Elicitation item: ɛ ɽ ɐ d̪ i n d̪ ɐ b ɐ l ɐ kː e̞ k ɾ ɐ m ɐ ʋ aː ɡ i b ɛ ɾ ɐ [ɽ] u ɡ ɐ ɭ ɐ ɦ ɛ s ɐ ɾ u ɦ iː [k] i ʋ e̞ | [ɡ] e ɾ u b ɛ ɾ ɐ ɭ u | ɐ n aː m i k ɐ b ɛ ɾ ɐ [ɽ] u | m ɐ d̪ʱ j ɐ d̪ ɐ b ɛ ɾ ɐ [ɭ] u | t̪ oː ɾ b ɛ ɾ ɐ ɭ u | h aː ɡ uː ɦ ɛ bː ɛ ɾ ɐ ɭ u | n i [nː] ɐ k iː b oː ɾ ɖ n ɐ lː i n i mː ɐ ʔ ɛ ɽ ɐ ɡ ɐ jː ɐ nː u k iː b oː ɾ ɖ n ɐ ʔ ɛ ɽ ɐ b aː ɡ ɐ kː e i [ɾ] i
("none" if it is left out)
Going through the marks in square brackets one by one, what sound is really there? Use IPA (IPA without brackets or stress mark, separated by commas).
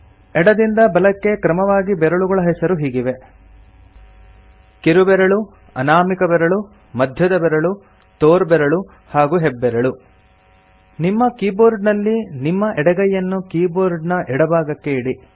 ɭ, ɡ, k, ɭ, ɭ, mː, ɽ